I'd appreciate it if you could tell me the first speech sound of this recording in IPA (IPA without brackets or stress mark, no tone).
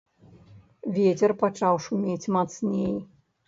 vʲ